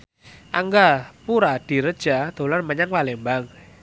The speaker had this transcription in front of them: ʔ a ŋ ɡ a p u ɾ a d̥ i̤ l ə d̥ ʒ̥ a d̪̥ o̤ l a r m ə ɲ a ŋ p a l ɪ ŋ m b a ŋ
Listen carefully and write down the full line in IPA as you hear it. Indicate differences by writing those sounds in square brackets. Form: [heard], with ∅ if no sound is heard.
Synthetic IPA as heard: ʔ a ŋ ɡ a p u ɾ a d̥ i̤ [ɾ] ə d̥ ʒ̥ a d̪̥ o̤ l a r m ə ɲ a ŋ p a l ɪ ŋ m b a ŋ